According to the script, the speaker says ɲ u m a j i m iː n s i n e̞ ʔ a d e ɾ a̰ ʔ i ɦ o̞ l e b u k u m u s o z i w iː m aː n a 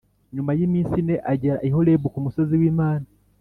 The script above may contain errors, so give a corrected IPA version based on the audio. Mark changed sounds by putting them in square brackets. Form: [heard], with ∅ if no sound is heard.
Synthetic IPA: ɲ u m a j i m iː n s i n e̞ ʔ a [ɟ] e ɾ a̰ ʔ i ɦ o̞ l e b u k u m u s o z i w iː m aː n a